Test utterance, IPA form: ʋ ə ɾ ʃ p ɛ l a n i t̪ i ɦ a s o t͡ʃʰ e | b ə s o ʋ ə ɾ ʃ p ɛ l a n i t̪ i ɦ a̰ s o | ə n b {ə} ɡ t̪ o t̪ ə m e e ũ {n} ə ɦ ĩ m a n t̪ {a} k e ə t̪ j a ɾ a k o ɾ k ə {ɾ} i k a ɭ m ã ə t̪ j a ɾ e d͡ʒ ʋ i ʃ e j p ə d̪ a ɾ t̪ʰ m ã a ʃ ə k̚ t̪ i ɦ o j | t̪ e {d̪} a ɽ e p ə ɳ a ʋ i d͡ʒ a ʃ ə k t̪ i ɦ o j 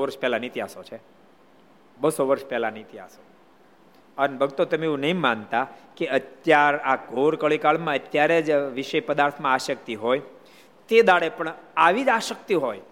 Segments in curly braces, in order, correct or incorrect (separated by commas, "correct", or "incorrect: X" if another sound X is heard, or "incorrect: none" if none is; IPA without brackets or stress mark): correct, correct, correct, incorrect: ɭ, correct